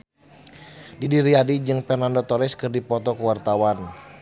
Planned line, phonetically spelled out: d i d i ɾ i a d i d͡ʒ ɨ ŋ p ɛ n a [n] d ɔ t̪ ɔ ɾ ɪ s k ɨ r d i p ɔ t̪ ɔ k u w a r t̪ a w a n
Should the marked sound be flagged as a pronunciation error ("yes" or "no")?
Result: no